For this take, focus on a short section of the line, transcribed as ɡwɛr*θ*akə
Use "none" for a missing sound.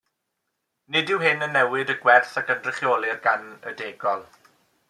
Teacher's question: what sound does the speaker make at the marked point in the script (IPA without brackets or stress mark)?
θ